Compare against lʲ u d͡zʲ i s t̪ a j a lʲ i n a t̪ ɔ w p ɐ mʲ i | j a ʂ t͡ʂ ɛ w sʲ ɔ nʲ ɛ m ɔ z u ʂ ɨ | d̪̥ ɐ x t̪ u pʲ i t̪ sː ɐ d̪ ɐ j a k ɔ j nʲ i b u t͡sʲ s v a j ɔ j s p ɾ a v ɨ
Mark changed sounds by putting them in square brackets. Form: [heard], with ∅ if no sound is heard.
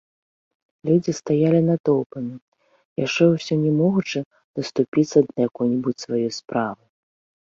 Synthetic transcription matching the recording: lʲ u d͡zʲ i s t̪ a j a lʲ i n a t̪ ɔ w p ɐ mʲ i | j a ʂ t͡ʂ ɛ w sʲ ɔ nʲ ɛ m ɔ [ɣ] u [t͡ʂ] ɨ | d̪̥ ɐ [s] t̪ u pʲ i t̪ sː ɐ d̪ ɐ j a k ɔ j nʲ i b u t͡sʲ s v a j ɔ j s p ɾ a v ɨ